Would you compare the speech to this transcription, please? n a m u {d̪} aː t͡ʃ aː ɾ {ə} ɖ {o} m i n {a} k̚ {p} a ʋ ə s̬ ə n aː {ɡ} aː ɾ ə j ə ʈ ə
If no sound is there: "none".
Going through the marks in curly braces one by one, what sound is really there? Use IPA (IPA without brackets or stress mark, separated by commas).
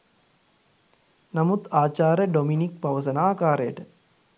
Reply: t̪, ə, o, i, p, k